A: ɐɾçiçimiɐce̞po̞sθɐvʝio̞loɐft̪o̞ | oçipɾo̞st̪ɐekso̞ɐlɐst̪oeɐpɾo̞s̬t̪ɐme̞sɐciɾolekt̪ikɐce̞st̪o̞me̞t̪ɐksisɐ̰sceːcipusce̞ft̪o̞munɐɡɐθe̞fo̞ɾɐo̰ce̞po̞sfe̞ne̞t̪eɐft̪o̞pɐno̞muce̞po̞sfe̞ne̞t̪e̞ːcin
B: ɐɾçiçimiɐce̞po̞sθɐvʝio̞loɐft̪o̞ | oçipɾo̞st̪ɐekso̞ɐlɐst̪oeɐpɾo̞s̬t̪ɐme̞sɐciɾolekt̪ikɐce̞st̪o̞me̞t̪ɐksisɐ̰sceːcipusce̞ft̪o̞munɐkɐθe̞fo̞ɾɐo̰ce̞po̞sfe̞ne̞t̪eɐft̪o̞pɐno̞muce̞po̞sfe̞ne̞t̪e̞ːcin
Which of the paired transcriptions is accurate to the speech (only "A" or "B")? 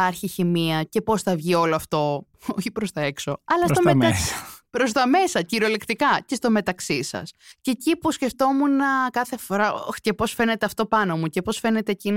B